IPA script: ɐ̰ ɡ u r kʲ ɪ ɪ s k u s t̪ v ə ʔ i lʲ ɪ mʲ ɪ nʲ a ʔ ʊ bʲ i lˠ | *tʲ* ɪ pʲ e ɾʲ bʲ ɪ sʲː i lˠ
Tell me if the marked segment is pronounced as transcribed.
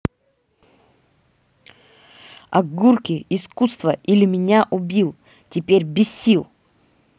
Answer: yes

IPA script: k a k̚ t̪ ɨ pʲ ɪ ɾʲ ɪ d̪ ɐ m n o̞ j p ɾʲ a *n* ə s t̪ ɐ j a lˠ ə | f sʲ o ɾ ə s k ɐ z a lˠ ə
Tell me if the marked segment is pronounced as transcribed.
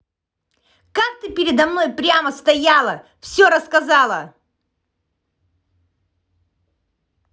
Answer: no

